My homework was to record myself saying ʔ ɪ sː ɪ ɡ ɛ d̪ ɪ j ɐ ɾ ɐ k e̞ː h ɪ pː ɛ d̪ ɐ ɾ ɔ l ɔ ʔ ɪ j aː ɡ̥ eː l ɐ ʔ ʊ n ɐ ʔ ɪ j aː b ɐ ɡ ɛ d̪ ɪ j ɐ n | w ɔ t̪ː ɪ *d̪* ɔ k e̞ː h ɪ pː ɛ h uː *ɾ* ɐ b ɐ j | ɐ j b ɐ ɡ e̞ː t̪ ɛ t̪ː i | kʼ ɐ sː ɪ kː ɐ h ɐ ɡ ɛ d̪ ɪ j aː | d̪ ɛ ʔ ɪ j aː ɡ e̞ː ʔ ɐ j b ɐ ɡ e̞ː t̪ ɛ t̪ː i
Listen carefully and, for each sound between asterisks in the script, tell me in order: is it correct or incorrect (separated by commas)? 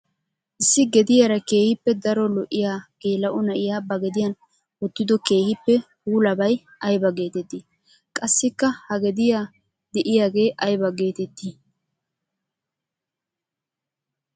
correct, incorrect